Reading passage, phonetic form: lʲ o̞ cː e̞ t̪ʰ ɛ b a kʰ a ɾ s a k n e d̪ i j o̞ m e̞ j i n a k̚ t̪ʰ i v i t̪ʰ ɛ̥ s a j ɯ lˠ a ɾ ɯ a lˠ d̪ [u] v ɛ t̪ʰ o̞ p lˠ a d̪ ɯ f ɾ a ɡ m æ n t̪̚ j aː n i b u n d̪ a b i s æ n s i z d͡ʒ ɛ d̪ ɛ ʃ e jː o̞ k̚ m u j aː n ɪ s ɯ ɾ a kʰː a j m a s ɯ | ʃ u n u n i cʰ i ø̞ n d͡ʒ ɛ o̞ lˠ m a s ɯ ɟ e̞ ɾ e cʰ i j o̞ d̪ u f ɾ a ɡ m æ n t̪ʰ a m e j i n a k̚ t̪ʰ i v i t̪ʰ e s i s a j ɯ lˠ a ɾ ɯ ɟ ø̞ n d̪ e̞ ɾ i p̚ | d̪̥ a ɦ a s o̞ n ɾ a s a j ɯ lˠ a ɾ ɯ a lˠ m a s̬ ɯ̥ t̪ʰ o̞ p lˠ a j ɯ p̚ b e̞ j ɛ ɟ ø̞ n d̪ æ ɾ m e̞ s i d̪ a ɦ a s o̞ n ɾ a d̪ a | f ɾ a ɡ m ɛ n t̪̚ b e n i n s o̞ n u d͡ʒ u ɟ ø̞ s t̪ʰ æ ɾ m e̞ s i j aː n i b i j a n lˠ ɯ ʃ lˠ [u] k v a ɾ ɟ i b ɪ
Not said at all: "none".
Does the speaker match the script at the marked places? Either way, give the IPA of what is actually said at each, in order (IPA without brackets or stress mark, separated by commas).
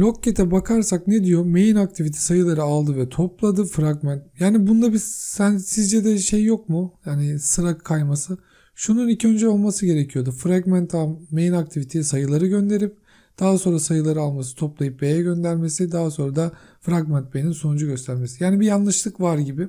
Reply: ɯ, ɯ